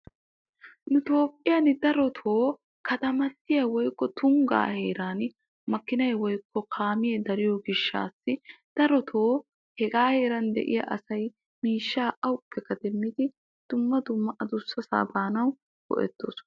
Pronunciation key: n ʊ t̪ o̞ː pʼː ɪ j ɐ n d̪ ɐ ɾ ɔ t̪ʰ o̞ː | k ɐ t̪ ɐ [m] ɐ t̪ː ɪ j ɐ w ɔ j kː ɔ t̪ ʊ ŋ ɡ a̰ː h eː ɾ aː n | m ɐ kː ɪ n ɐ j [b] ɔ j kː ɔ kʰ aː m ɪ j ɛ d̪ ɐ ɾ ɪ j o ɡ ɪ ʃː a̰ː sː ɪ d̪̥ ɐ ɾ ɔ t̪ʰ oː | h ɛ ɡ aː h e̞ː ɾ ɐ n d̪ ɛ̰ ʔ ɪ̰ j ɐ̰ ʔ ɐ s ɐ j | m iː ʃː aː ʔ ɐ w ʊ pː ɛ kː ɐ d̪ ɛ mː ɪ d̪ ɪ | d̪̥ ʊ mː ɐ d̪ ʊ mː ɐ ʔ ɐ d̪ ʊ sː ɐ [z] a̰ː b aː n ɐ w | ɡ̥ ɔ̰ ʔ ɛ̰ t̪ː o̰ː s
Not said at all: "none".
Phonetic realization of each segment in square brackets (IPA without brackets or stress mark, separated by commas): m, w, s